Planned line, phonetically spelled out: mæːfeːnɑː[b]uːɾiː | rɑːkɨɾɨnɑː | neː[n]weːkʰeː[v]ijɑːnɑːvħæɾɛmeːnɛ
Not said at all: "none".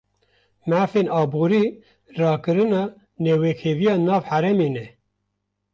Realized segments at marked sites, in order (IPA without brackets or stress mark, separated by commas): b, none, v